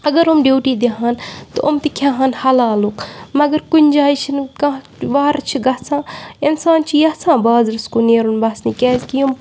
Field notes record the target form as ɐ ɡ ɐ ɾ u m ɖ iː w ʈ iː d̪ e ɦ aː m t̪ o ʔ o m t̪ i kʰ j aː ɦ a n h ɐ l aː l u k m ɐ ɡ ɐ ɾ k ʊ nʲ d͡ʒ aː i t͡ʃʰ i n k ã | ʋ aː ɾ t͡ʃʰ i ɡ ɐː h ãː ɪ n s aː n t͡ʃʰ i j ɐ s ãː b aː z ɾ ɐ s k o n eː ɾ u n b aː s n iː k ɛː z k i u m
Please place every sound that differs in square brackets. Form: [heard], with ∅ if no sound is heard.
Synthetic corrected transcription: ɐ ɡ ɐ ɾ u m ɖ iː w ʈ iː d̪ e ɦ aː [n] t̪ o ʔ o m t̪ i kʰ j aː ɦ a n h ɐ l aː l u k m ɐ ɡ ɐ ɾ k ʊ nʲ d͡ʒ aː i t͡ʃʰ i n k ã | ʋ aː ɾ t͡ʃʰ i ɡ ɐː [s] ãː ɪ n s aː n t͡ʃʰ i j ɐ s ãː b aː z ɾ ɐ s k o n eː ɾ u n b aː s n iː k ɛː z k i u m